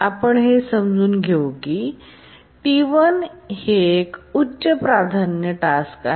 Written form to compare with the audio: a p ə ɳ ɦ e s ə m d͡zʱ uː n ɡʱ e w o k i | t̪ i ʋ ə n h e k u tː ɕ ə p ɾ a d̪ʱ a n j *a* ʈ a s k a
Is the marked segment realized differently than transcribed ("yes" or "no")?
yes